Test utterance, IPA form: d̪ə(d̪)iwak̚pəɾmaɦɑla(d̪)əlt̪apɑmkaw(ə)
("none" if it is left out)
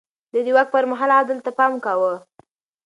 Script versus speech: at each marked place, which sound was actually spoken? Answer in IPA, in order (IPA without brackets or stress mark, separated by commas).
d̪, d̪, ə